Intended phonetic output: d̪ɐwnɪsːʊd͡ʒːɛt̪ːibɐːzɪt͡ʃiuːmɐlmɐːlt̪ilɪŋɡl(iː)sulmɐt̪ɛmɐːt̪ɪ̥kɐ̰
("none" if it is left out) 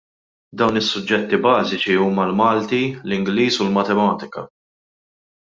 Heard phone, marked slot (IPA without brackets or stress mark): iː